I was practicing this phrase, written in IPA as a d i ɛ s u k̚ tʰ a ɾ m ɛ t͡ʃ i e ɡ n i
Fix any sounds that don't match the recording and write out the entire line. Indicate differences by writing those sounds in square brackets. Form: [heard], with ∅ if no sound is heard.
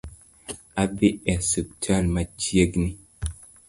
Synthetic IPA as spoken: a [b] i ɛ s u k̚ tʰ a [l] m [a] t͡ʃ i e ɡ n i